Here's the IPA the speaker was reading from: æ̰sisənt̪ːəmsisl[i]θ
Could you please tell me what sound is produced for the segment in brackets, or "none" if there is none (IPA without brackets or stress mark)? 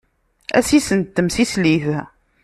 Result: i